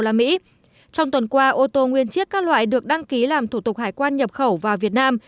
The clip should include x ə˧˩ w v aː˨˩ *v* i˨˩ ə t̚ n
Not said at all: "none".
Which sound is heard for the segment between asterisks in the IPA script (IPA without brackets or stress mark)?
v